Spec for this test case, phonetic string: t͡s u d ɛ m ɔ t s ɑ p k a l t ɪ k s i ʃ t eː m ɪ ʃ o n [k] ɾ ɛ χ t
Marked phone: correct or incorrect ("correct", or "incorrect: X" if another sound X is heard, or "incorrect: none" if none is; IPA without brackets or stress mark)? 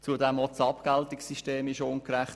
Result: correct